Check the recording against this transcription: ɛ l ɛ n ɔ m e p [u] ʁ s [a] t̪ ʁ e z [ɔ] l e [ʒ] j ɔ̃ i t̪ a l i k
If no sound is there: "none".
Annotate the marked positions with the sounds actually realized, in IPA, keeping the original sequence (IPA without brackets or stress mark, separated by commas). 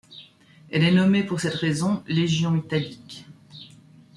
u, ɛ, ɔ̃, ʒ